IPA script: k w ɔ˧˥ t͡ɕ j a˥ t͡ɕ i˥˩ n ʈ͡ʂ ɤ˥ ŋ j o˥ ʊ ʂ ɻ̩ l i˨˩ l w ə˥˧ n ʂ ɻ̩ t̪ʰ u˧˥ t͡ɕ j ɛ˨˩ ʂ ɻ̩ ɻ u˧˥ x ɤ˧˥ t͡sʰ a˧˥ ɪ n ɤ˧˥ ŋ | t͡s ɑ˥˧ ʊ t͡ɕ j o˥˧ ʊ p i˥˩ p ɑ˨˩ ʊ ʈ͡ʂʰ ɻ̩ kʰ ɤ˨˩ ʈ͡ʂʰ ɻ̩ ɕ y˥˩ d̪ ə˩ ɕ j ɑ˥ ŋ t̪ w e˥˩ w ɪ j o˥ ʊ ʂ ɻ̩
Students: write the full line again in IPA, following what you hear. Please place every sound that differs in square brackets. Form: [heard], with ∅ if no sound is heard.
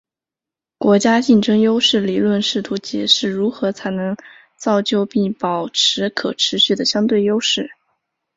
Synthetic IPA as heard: k w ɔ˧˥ t͡ɕ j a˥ t͡ɕ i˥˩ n ʈ͡ʂ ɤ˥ ŋ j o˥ ʊ ʂ ɻ̩ l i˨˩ l w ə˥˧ n ʂ ɻ̩ t̪ʰ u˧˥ t͡ɕ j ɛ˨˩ ʂ ɻ̩ ɻ u˧˥ x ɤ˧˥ t͡sʰ a˧˥ ɪ n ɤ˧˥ ŋ | t͡s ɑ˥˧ ʊ t͡ɕ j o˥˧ ʊ p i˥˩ p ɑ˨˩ ʊ ʈ͡ʂʰ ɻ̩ kʰ ɤ˨˩ ʈ͡ʂʰ ɻ̩ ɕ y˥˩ d̪ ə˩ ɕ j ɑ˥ ŋ t̪ w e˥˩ [∅] ɪ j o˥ ʊ ʂ ɻ̩

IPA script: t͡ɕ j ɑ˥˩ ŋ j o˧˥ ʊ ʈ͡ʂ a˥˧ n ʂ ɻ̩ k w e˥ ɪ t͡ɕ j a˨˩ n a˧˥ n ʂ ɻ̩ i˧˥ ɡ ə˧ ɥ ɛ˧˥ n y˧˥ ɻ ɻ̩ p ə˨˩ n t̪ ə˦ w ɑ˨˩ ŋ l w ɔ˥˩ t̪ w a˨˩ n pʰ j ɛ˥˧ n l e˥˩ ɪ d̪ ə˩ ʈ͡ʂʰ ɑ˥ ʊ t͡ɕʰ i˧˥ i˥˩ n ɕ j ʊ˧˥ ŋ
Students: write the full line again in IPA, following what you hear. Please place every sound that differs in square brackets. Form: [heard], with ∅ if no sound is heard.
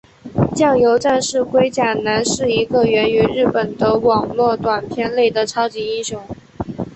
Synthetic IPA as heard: t͡ɕ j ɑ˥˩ ŋ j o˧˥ ʊ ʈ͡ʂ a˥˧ n ʂ ɻ̩ k w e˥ ɪ t͡ɕ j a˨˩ n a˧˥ n ʂ ɻ̩ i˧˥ ɡ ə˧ ɥ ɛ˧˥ n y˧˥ ɻ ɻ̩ p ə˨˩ n [d̪] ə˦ w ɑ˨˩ ŋ l w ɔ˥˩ t̪ w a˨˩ n pʰ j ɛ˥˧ n l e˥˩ ɪ d̪ ə˩ ʈ͡ʂʰ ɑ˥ ʊ [t͡ɕ] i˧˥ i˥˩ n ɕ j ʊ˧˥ ŋ

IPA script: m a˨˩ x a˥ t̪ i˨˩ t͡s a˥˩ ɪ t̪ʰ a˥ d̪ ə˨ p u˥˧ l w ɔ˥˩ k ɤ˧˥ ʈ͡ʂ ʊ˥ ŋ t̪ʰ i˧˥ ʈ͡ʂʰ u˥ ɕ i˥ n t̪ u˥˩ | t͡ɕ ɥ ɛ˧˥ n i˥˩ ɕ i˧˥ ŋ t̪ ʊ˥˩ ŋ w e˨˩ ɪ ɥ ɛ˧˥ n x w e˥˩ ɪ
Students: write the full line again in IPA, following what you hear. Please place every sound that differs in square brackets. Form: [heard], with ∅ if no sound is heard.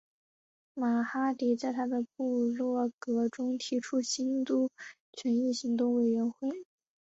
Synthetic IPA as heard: m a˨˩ x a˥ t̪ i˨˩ t͡s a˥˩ ɪ t̪ʰ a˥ d̪ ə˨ p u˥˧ l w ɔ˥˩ k ɤ˧˥ ʈ͡ʂ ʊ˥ ŋ t̪ʰ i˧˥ ʈ͡ʂʰ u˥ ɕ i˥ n t̪ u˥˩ | [t͡ɕʰ] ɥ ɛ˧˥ n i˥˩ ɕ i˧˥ ŋ t̪ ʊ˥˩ ŋ w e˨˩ ɪ ɥ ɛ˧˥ n x w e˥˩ ɪ

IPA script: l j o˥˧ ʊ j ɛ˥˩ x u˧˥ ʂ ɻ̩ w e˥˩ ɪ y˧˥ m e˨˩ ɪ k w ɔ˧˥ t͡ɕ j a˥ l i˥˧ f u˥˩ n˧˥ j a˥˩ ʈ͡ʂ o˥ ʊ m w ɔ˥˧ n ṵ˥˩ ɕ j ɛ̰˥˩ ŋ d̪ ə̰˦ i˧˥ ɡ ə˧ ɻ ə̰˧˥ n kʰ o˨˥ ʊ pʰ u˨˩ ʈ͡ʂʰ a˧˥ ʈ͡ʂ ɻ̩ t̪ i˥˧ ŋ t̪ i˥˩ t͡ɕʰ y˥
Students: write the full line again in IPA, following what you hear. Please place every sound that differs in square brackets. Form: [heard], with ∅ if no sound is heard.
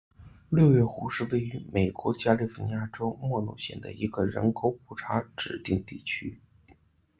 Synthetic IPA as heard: l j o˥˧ ʊ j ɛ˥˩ x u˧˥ ʂ ɻ̩ w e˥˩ ɪ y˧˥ m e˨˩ ɪ k w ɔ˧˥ t͡ɕ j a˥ l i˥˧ f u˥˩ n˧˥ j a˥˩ ʈ͡ʂ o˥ ʊ m w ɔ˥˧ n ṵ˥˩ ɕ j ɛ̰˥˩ [n] d̪ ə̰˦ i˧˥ ɡ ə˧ ɻ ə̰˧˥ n kʰ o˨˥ ʊ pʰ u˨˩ ʈ͡ʂʰ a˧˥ ʈ͡ʂ ɻ̩ t̪ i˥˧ ŋ t̪ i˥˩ t͡ɕʰ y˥

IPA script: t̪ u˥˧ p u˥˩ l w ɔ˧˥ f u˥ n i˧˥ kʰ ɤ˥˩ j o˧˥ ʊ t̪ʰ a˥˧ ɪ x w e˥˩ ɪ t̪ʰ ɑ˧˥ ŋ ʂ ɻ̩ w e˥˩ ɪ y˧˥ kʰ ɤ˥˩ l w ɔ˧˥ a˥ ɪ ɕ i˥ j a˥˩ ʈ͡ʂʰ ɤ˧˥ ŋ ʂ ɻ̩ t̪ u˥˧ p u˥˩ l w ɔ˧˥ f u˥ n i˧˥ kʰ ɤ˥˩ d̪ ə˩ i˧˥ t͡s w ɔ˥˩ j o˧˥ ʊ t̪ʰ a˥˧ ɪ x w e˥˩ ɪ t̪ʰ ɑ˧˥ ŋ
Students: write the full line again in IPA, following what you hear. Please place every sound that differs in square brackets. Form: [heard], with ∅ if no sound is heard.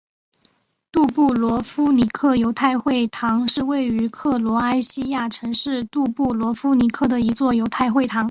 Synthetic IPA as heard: t̪ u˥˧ p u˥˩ l w ɔ˧˥ f u˥ n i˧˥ kʰ ɤ˥˩ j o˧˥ ʊ t̪ʰ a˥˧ ɪ x w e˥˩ ɪ t̪ʰ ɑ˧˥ ŋ ʂ ɻ̩ w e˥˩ ɪ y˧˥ kʰ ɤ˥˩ l w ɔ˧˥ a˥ ɪ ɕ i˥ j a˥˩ ʈ͡ʂʰ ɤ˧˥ ŋ ʂ ɻ̩ t̪ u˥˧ p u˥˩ l w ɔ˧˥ f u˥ n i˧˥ kʰ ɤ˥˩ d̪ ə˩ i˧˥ t͡s w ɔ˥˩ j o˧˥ ʊ t̪ʰ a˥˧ ɪ x w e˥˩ ɪ t̪ʰ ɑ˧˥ ŋ

